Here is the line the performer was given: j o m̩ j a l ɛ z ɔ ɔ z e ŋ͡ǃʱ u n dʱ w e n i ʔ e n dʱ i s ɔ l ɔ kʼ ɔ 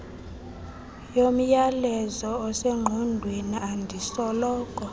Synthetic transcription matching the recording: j o m̩ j a l ɛ z ɔ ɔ s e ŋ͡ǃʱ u n dʱ w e n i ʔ a n dʱ i s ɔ l ɔː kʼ ɔ